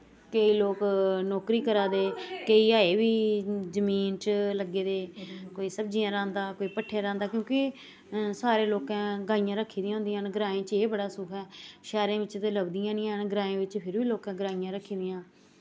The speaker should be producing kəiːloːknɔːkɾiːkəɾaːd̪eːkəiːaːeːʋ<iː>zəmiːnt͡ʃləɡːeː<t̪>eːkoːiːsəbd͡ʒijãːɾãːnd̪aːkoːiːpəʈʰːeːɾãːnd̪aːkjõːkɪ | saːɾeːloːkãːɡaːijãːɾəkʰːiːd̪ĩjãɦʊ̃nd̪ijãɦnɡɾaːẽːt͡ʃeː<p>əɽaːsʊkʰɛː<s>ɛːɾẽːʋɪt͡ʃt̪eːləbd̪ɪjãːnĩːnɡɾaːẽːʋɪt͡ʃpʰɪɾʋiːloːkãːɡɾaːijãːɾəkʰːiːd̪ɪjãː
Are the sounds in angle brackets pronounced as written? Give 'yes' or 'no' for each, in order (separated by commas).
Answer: yes, no, no, no